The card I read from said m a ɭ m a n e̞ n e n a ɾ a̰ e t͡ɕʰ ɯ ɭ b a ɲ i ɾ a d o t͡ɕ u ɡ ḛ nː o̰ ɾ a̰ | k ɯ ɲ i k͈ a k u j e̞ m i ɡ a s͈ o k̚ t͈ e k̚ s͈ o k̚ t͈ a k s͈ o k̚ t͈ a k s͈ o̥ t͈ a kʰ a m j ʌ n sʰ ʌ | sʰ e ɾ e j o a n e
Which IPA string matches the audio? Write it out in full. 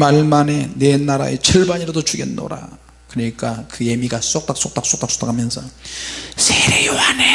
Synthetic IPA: m a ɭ m a n e̞ n e n a ɾ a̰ e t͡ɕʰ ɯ ɭ b a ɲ i ɾ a d o t͡ɕ u ɡ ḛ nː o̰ ɾ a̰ | k ɯ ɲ i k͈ a k ɯ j e̞ m i ɡ a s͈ o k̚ t͈ a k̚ s͈ o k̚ t͈ a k s͈ o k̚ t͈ a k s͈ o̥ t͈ a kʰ a m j ʌ n sʰ ʌ | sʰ e ɾ e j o a n e